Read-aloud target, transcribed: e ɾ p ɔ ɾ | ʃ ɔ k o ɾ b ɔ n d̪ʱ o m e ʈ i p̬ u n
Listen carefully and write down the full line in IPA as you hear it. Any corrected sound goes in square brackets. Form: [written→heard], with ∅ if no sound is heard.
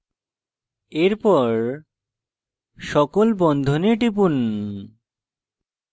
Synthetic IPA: e ɾ p ɔ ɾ | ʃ ɔ k o [ɾ→l] b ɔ n d̪ʱ o [m→n] e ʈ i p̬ u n